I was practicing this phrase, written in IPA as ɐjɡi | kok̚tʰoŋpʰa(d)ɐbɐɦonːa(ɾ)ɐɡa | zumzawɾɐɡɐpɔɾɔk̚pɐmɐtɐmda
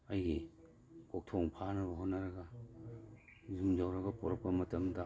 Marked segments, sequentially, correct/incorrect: incorrect: n, correct

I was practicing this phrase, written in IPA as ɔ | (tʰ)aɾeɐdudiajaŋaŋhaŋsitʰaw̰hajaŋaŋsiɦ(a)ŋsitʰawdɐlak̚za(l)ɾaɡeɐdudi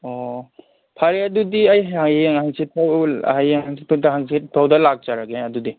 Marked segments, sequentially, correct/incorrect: incorrect: pʰ, correct, incorrect: none

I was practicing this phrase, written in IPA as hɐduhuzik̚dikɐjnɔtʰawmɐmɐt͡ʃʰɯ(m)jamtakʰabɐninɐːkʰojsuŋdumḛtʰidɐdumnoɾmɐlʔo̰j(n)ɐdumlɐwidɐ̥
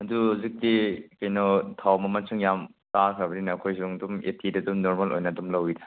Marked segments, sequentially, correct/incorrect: incorrect: ŋ, correct

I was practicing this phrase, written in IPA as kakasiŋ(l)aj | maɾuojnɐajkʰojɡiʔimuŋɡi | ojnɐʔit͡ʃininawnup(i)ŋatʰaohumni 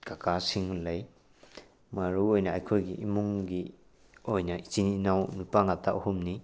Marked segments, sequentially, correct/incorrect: correct, incorrect: a

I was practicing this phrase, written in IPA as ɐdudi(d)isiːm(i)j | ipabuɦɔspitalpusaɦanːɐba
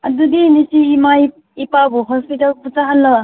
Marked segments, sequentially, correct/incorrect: incorrect: n, incorrect: a

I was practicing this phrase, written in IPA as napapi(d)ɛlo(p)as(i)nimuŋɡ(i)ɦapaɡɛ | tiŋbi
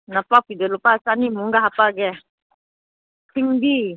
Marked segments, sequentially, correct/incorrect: correct, correct, incorrect: a, incorrect: a

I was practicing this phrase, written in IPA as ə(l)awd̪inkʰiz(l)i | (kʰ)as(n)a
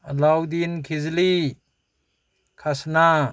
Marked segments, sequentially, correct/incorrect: correct, correct, correct, correct

